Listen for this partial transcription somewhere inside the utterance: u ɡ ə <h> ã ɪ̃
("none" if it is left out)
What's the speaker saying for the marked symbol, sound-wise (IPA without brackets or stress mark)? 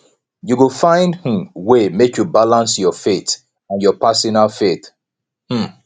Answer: f